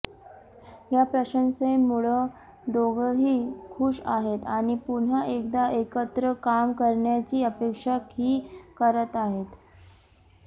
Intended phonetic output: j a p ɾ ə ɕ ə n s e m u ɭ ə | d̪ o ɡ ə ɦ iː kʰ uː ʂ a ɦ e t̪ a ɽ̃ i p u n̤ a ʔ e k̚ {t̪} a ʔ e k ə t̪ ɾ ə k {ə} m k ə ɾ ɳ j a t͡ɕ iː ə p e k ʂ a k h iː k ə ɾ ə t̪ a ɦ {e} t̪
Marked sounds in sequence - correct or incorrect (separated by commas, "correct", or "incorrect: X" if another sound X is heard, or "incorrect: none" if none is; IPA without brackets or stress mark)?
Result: incorrect: d̪, incorrect: a, correct